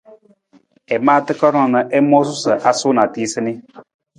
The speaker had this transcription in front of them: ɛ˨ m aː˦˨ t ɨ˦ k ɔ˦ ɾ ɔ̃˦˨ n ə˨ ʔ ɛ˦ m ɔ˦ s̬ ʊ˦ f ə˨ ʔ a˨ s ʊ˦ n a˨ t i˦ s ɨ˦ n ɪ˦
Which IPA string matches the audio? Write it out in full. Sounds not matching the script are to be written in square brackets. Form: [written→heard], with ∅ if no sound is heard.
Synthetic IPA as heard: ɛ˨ m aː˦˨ t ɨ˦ k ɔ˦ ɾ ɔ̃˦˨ n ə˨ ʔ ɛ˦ m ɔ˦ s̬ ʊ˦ [f→s] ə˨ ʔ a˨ s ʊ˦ n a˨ t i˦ s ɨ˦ n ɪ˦